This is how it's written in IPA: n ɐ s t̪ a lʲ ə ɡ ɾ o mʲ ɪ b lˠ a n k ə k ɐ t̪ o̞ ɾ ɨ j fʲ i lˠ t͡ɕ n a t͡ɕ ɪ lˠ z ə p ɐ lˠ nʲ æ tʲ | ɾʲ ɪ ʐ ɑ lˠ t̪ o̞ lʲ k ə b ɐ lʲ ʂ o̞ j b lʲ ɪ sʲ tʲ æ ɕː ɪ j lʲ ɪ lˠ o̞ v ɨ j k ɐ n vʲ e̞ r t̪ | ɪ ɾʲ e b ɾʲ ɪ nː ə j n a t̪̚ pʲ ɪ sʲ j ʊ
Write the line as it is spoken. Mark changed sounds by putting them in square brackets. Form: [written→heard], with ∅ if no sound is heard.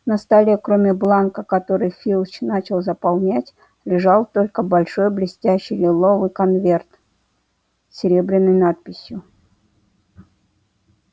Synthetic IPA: n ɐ s t̪ a lʲ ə [ɡ→k] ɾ o mʲ ɪ b lˠ a n k ə k ɐ t̪ o̞ ɾ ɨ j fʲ i lˠ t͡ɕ n a t͡ɕ ɪ lˠ z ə p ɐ lˠ nʲ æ tʲ | [ɾʲ→lʲ] ɪ ʐ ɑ lˠ t̪ o̞ lʲ k ə b ɐ lʲ ʂ o̞ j b lʲ ɪ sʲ tʲ æ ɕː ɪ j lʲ ɪ lˠ o̞ v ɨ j k ɐ n vʲ e̞ r t̪ | ɪ ɾʲ e b ɾʲ ɪ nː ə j n a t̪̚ pʲ ɪ sʲ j ʊ